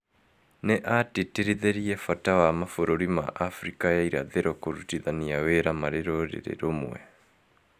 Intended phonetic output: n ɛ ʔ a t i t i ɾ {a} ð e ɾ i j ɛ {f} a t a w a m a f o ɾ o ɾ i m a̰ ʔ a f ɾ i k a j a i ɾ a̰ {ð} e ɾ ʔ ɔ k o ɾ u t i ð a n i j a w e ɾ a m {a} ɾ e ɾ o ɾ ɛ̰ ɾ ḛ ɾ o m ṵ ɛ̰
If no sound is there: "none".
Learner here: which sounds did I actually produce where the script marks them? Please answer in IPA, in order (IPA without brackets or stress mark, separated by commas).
i, f, ð, a